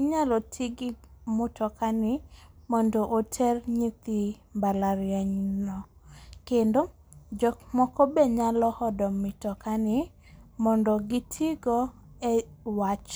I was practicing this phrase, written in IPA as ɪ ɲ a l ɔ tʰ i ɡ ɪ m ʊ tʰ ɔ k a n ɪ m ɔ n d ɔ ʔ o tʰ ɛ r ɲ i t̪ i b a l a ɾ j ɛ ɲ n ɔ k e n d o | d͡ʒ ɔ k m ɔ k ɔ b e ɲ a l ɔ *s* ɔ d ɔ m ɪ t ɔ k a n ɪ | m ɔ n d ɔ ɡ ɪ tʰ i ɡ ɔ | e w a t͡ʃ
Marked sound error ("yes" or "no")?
yes